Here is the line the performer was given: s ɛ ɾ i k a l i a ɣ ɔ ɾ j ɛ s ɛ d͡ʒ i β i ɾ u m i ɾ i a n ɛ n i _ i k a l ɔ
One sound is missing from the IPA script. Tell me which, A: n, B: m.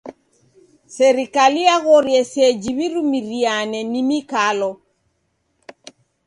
B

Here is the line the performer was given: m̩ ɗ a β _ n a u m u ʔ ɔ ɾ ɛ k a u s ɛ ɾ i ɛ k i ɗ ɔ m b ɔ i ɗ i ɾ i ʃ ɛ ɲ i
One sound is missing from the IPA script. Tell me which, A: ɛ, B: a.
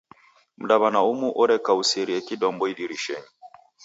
B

